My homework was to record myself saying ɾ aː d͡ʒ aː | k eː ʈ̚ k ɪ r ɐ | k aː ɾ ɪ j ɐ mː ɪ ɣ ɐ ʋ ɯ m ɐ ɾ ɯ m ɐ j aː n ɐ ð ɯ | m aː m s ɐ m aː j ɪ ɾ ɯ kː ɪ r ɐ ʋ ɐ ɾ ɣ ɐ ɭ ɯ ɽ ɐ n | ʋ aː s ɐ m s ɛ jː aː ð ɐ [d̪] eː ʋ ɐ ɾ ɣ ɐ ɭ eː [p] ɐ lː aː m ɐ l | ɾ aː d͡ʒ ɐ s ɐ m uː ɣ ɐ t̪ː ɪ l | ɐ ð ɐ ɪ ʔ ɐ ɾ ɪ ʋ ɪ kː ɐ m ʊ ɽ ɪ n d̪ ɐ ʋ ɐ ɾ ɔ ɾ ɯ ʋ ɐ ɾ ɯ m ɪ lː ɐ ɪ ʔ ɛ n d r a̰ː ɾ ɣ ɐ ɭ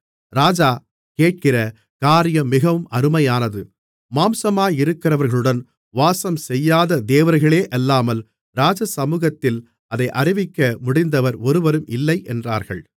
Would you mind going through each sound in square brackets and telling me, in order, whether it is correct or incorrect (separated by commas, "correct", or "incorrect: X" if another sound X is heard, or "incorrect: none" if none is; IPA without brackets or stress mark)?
correct, incorrect: ʔ